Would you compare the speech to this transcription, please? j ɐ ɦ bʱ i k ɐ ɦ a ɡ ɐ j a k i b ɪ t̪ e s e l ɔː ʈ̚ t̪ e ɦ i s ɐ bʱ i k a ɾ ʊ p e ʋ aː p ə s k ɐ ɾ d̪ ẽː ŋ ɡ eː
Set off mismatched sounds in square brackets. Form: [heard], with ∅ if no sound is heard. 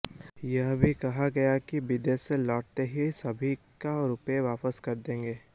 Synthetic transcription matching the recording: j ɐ ɦ bʱ i k ɐ ɦ a ɡ ɐ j a k i b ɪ [d̪] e s e l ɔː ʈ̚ t̪ e ɦ i s ɐ bʱ i k a ɾ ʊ p e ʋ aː p ə s k ɐ ɾ d̪ ẽː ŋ ɡ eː